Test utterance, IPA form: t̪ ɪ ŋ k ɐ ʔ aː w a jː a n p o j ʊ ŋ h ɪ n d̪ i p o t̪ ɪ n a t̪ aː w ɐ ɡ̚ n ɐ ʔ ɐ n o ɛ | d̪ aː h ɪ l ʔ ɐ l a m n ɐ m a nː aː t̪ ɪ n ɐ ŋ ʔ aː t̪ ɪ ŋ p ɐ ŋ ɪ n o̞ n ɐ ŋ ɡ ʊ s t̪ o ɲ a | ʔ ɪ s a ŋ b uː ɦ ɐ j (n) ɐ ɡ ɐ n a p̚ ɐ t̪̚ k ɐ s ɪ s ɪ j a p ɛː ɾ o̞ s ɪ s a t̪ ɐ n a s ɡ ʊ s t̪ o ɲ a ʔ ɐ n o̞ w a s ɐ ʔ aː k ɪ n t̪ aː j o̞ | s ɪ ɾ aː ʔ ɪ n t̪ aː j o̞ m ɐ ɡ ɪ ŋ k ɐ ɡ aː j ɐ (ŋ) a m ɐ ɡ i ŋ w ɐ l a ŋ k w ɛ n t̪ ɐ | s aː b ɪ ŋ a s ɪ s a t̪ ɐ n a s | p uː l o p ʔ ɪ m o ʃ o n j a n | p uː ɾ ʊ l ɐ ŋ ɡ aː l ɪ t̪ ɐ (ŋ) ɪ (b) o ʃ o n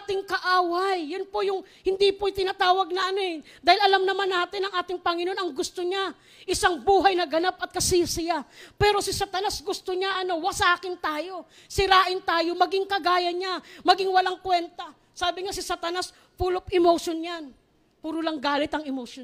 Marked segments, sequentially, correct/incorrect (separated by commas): correct, incorrect, correct, incorrect